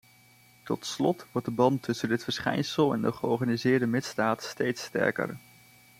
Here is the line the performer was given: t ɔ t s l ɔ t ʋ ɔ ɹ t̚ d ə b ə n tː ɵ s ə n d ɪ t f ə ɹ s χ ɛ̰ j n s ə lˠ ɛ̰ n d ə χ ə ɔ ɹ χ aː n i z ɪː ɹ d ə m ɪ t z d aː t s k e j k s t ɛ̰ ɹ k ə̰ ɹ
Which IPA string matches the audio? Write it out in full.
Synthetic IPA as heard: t ɔ t s l ɔ t ʋ ɔ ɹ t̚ d ə b ɑ n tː ɵ s ə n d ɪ t f ə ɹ s χ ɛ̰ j n s ə lˠ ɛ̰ n d ə χ ə ɔ ɹ χ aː n i z ɪː ɹ d ə m ɪ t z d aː t s t e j t s t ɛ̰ ɹ k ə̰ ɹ